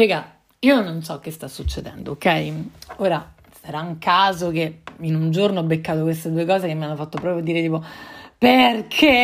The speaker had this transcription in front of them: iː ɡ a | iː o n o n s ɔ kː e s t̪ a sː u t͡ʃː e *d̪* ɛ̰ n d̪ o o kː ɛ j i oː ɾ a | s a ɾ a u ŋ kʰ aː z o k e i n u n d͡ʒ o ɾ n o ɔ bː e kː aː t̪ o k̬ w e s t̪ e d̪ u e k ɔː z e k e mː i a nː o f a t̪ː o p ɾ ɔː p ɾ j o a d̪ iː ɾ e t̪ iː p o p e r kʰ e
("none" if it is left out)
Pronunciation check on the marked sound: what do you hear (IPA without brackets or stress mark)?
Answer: d̪